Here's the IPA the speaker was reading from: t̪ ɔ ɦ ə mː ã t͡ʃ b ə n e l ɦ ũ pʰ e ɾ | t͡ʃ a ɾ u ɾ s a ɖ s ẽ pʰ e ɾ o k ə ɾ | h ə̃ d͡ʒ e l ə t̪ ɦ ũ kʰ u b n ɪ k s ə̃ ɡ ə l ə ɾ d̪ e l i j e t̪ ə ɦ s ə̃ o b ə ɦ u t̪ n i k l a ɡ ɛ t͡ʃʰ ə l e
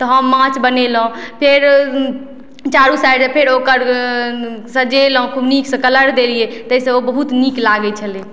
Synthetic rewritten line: t̪ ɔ ɦ ə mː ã t͡ʃ b ə n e l ɦ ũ pʰ e ɾ | t͡ʃ a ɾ u s a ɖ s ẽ pʰ e ɾ o k ə ɾ | s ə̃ d͡ʒ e l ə ɦ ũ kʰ u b n i k s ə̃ k ə l ə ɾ d̪ e l i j e t̪ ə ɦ s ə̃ o b ə ɦ u t̪ n i k l a ɡ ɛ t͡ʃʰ ə l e